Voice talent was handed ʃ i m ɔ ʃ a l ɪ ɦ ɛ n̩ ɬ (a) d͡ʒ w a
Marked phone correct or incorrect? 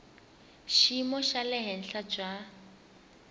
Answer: correct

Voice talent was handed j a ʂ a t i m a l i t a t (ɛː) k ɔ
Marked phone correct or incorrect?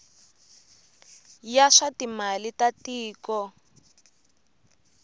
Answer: incorrect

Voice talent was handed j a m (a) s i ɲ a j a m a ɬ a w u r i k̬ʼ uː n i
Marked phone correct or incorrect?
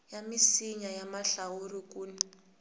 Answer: incorrect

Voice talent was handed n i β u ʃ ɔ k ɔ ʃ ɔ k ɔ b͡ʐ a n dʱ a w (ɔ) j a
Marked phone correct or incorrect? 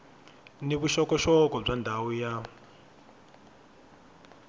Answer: incorrect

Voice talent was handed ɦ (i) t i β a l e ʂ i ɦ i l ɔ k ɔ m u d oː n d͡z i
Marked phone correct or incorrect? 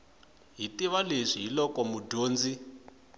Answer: correct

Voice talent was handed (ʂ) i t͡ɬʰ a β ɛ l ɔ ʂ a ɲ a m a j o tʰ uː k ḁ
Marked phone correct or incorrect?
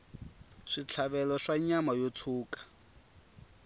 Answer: correct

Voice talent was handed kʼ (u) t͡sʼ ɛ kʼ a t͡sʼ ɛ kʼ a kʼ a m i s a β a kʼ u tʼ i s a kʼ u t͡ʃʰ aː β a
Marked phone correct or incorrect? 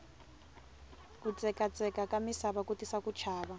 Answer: correct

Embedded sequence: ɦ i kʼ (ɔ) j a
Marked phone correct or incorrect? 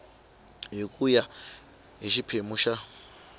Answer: incorrect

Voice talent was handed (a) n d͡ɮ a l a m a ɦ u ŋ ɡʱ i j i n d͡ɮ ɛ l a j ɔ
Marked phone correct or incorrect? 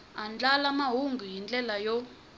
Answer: correct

